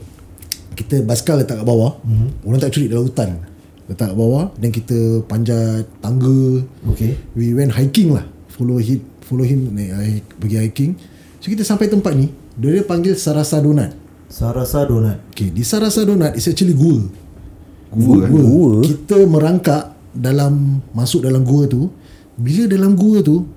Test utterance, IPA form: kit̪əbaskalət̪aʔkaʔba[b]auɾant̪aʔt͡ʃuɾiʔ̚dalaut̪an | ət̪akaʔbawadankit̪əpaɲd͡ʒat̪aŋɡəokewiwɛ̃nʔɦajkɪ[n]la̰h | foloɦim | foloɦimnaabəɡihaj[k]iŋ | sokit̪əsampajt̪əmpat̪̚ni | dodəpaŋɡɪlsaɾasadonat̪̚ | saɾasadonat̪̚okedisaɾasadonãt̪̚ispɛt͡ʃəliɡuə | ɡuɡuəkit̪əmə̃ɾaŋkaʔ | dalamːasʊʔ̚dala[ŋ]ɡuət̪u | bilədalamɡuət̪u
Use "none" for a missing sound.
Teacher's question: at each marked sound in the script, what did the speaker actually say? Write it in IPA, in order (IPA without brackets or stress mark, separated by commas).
w, ŋ, k, m